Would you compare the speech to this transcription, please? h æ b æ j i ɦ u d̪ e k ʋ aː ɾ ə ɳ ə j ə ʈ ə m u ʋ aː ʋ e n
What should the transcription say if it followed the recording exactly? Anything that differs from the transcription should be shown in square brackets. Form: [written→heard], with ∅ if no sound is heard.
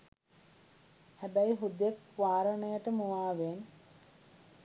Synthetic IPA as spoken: h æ b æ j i ɦ u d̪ e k ʋ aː ɾ ə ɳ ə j ə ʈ ə m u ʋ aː ʋ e n